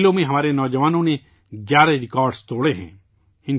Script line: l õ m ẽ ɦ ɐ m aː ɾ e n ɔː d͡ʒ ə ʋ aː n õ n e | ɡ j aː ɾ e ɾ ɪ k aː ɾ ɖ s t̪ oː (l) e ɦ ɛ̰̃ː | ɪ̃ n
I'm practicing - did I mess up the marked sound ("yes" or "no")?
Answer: yes